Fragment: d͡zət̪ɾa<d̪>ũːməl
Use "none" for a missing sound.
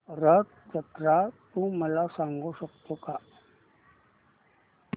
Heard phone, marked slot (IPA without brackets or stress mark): t̪